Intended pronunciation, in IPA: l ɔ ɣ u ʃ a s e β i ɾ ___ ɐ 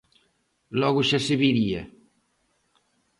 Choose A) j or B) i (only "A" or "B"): B